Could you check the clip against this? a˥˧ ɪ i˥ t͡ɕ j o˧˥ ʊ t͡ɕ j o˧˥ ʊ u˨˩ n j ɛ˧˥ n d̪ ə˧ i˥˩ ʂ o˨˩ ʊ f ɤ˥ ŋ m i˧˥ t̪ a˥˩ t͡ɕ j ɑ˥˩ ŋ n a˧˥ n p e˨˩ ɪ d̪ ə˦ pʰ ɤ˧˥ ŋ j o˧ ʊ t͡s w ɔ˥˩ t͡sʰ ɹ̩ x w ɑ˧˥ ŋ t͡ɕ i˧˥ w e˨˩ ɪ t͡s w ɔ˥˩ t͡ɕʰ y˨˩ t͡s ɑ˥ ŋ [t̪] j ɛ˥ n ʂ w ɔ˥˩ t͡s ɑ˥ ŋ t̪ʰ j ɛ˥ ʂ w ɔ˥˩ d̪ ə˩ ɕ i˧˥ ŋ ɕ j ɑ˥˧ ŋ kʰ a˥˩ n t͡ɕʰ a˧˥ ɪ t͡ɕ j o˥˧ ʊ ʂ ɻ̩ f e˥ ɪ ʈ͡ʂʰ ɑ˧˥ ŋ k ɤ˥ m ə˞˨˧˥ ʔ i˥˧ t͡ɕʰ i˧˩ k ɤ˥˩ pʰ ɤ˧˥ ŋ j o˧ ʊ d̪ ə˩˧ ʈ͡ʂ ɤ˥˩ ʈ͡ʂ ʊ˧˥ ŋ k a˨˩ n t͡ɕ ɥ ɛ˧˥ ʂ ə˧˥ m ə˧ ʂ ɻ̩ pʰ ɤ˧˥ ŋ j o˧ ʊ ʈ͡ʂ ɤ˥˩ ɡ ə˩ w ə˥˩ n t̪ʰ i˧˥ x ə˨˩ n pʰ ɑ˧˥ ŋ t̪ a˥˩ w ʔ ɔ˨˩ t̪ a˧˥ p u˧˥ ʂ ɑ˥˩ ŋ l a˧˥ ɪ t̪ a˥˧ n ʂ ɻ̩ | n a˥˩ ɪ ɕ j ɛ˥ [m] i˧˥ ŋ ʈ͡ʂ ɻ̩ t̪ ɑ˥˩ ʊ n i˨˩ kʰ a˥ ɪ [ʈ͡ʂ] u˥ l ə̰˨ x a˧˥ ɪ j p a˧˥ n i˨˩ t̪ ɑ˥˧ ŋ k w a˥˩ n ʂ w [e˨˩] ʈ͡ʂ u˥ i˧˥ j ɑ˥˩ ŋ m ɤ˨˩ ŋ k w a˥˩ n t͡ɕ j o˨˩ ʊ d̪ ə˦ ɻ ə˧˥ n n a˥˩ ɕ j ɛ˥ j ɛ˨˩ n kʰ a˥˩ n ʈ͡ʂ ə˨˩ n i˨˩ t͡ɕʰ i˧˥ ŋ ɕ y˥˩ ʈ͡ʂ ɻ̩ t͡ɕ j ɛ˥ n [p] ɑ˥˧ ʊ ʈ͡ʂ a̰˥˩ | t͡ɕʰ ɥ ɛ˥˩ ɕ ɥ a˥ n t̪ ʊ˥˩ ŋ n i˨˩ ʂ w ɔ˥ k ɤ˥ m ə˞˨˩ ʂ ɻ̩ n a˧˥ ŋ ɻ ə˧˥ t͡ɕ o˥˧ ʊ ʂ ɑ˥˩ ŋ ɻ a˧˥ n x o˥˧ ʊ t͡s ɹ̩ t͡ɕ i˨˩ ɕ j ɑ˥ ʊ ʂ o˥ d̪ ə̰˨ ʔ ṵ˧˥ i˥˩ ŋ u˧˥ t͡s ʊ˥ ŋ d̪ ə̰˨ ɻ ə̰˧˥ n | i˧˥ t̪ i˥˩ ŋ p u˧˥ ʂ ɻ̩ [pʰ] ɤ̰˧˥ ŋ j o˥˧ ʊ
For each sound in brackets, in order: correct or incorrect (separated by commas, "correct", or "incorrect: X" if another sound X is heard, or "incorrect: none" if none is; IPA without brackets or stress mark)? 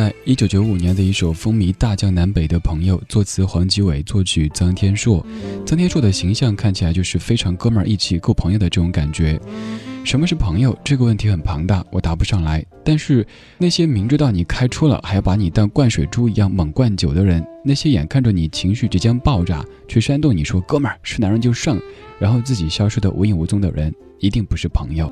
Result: incorrect: t̪ʰ, correct, incorrect: ʈ͡ʂʰ, correct, correct, correct